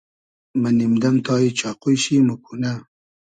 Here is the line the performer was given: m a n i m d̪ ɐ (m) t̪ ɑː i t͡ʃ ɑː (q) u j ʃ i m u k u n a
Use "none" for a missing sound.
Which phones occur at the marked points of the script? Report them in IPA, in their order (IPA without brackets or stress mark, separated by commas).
m, q